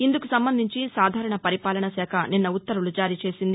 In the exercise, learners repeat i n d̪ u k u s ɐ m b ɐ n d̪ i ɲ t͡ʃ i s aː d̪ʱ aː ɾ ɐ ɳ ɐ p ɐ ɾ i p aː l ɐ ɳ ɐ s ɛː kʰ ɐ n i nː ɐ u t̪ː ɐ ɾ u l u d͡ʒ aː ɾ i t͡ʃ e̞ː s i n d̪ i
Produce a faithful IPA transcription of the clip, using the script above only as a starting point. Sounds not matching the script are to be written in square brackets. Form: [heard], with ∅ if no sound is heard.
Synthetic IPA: i n d̪ u k u s ɐ m b ɐ n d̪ i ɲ t͡ʃ i s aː d̪ʱ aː ɾ ɐ ɳ ɐ p ɐ ɾ i p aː l ɐ ɳ ɐ s ɛː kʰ ɐ n i nː ɐ u t̪ː ɐ ɾ u l u d͡ʒ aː ɾ [iː] t͡ʃ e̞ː s i n d̪ i